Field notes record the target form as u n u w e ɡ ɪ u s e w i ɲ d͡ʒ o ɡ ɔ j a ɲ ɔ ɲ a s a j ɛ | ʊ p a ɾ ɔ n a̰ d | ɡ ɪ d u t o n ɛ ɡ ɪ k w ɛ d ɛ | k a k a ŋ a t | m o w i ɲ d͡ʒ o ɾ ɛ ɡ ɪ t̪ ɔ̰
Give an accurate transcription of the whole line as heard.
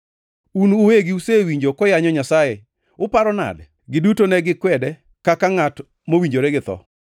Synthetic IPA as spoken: u n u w e ɡ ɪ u s e w i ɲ d͡ʒ o k ɔ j a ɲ ɔ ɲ a s a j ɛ | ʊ p a ɾ ɔ n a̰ d | ɡ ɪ d u t o n ɛ ɡ ɪ k w ɛ d ɛ | k a k a ŋ a t | m o w i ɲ d͡ʒ o ɾ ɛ ɡ ɪ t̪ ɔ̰

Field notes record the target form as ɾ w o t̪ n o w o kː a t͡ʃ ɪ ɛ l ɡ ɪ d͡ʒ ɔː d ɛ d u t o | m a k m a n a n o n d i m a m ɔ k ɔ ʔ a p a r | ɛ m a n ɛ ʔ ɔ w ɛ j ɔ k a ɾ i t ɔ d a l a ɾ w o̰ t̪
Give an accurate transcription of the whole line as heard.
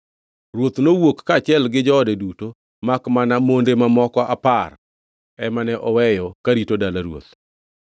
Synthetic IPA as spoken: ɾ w o t̪ n o w o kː a t͡ʃ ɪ ɛ l ɡ ɪ d͡ʒ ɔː d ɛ d u t o | m a k m a n a m o n d e m a m ɔ k ɔ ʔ a p a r | ɛ m a n ɛ ʔ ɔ w ɛ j ɔ k a ɾ i t o d a l a ɾ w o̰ t̪

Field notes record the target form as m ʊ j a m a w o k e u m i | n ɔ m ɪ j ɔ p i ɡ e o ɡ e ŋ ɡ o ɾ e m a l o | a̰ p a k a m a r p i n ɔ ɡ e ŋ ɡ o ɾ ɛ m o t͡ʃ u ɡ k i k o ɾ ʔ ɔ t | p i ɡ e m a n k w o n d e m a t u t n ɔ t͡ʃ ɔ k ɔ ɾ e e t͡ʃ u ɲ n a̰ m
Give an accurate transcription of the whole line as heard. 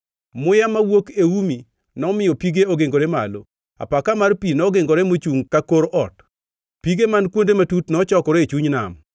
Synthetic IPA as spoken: m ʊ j a m a w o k e u m i | n ɔ m ɪ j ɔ p i ɡ e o ɡ e ŋ ɡ o ɾ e m a l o | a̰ p a k a m a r p i n ɔ ɡ e ŋ ɡ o ɾ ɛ m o t͡ʃ u ŋ k a k o ɾ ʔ ɔ t | p i ɡ e m a n k w o n d e m a t u t n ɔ t͡ʃ ɔ k ɔ ɾ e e t͡ʃ u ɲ n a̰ m

